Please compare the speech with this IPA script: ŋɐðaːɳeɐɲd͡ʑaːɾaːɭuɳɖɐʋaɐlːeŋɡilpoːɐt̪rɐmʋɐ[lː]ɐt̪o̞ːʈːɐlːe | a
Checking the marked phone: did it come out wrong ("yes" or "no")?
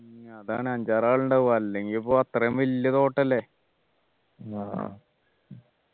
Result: no